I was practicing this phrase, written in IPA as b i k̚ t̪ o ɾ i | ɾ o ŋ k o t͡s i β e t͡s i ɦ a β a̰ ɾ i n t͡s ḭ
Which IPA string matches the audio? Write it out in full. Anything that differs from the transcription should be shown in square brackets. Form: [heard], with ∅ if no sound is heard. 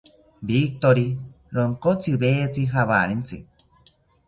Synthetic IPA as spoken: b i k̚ t̪ o ɾ i | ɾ o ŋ k o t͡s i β e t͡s i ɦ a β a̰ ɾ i n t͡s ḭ